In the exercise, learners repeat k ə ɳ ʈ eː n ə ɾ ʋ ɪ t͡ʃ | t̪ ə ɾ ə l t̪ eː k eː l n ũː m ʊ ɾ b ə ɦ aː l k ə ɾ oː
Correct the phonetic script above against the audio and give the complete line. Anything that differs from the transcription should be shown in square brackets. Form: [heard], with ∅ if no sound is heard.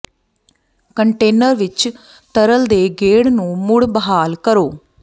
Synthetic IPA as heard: k ə ɳ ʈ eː n ə ɾ ʋ ɪ t͡ʃ | t̪ ə ɾ ə l [d̪] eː [ɡ] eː [ɽ] n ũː m ʊ [ɽ] b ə ɦ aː l k ə ɾ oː